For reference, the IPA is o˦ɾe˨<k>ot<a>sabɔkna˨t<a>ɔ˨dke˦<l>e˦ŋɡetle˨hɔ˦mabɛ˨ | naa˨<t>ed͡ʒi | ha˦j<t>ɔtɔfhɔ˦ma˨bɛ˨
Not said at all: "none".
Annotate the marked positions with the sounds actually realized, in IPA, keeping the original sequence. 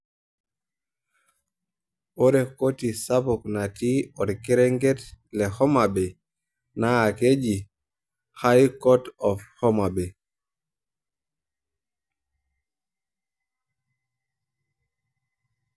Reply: k, i, i, ɾ, k, k

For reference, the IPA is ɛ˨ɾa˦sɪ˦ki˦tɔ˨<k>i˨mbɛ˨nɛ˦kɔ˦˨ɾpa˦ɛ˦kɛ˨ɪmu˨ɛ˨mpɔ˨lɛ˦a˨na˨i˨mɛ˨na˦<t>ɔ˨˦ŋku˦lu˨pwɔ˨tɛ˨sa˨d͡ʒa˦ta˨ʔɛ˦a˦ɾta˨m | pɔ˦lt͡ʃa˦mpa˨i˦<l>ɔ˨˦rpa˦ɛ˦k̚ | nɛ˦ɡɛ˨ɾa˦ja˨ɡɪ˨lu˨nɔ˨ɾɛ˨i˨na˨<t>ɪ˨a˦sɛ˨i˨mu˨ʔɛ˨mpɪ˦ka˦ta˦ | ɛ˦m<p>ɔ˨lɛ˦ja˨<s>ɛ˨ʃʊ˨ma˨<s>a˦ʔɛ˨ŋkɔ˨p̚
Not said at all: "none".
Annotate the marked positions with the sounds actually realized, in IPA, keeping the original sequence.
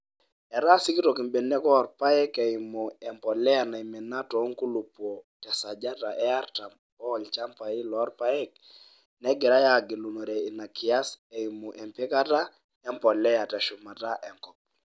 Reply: k, t, l, k, p, t, t

